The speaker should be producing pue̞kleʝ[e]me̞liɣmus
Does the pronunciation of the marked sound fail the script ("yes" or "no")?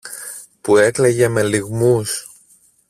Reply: no